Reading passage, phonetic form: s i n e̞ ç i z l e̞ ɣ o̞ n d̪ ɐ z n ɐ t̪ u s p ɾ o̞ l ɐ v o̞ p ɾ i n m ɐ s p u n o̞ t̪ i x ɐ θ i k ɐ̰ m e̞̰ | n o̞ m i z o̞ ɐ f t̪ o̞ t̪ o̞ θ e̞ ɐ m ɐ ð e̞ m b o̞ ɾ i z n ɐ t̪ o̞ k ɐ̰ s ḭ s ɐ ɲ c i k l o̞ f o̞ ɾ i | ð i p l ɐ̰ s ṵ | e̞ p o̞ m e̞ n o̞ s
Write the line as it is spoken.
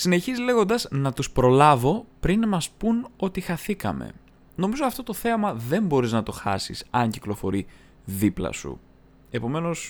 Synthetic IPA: s i n e̞ ç i z l e̞ ɣ o̞ n d̪ ɐ z n ɐ t̪ u s p ɾ o̞ l ɐ v o̞ p ɾ i n m ɐ s p u n o̞ t̪ i x ɐ θ i k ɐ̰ m e̞̰ | n o̞ m i z o̞ ɐ f t̪ o̞ t̪ o̞ θ e̞ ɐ m ɐ ð e̞ m b o̞ ɾ i z n ɐ t̪ o̞ x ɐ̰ s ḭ s ɐ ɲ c i k l o̞ f o̞ ɾ i | ð i p l ɐ̰ s ṵ | e̞ p o̞ m e̞ n o̞ s